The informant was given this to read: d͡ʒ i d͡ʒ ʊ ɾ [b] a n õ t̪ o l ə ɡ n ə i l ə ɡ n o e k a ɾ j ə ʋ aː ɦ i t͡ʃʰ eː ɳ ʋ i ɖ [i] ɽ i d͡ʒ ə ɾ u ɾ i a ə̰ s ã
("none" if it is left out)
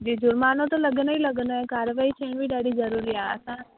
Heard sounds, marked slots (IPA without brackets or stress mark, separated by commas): m, a